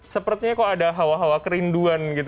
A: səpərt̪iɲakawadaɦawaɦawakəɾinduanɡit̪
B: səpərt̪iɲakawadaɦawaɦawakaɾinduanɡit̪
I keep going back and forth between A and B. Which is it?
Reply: A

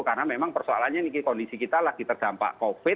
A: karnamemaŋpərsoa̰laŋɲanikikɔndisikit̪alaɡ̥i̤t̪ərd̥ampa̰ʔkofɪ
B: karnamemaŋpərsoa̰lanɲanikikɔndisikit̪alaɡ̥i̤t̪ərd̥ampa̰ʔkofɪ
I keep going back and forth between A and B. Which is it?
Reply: B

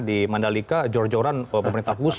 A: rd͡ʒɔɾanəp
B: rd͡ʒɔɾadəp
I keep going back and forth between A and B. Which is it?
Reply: A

